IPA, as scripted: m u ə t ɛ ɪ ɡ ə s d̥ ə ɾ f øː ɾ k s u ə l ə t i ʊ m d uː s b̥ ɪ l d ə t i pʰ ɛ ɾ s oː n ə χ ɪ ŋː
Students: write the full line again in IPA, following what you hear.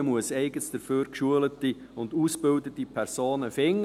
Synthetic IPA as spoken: m u ə s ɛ ɪ ɡ ə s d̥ ə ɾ f øː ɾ k ʃ u ə l ə t i ʊ n d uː s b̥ ɪ l d ə t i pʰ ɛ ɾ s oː n ə f ɪ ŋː